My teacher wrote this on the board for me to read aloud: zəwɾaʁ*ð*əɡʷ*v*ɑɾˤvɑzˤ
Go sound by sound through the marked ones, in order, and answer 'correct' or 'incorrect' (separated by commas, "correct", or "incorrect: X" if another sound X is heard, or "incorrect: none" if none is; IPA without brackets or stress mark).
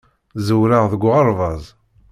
correct, incorrect: ʁ